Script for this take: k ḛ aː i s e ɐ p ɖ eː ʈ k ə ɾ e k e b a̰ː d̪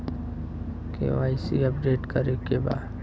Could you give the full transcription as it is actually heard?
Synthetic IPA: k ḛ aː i s i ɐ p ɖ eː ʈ k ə ɾ e k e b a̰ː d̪